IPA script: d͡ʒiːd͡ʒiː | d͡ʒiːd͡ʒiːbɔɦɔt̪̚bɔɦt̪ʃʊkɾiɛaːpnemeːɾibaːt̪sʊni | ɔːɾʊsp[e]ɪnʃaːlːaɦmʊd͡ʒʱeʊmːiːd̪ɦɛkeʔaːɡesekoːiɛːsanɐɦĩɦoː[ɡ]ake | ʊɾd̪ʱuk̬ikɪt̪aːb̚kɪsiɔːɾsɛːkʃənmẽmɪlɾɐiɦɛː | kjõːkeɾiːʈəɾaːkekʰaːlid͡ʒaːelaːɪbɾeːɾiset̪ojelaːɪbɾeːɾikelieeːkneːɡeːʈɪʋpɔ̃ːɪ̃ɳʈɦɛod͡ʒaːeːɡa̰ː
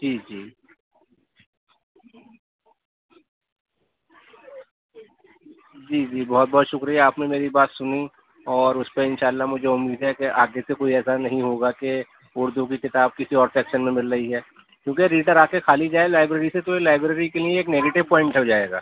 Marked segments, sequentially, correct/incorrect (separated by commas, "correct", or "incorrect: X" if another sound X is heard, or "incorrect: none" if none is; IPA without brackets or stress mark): correct, correct